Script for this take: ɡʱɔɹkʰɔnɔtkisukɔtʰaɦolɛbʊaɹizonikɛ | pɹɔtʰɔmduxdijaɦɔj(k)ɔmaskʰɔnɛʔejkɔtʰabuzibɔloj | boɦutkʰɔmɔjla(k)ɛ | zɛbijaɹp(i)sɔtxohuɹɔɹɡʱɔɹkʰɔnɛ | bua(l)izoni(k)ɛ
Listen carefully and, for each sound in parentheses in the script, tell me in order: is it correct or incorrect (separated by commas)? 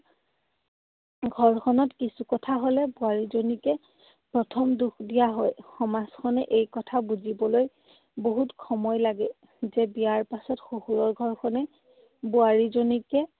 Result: incorrect, incorrect, incorrect, incorrect, correct